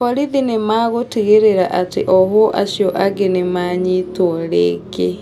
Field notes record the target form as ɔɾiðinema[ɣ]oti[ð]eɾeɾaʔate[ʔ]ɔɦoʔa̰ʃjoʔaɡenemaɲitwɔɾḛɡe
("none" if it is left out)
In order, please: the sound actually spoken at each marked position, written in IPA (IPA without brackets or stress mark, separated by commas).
ɣ, ɣ, ʔ